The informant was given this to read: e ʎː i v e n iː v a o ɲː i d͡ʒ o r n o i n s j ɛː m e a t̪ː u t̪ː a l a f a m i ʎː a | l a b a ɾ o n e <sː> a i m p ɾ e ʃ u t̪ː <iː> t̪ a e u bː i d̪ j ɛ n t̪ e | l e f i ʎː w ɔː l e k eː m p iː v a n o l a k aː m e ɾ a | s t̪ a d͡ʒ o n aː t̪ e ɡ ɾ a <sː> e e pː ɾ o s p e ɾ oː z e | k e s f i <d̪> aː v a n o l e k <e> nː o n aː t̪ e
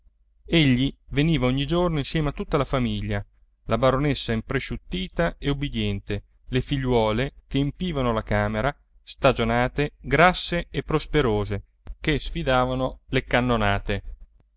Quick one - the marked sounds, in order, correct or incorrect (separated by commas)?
correct, correct, correct, correct, incorrect